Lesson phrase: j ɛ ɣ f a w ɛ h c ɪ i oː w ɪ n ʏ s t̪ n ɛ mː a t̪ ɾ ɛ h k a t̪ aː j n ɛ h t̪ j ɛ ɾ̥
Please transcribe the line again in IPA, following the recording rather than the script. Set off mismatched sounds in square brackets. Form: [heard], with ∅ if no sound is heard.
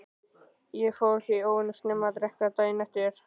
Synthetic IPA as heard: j ɛ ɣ f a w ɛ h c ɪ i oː w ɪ n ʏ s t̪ n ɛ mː a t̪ ɾ ɛ h k a t̪ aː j n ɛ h t̪ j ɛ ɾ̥